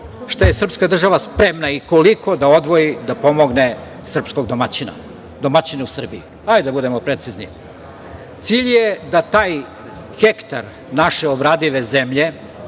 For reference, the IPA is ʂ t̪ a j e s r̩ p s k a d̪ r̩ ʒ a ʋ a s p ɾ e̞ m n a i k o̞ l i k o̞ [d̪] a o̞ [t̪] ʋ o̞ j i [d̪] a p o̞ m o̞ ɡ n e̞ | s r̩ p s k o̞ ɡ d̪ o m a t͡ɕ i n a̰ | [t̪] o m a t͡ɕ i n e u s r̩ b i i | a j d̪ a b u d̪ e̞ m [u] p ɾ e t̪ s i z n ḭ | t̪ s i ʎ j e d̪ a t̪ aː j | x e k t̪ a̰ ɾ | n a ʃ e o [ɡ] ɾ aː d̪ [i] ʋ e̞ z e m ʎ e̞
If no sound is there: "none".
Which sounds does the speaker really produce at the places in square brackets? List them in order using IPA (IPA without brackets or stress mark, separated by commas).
d̪, d̪, d̪, d̪, o, b, i